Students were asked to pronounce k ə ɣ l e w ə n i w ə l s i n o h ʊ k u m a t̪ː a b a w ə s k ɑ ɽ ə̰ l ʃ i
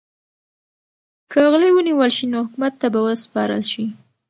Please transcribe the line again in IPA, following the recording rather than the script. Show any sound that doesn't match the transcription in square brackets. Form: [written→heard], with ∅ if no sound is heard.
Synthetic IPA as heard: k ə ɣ l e w ə n i w ə l [s→ʃ] i n o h ʊ k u m a t̪ː a b a w ə s [k→p] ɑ [ɽ→ɾ] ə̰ l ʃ i